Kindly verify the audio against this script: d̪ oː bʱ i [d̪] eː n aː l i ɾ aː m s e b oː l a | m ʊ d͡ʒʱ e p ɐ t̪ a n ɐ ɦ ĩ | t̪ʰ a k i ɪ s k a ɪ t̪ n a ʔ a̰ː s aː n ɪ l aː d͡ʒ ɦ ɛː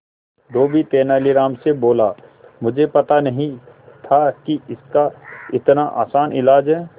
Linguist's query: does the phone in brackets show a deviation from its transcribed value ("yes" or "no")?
yes